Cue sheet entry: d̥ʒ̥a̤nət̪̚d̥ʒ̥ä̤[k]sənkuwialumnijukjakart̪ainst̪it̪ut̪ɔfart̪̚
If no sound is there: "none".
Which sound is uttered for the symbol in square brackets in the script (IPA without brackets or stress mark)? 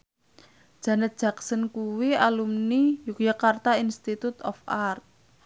k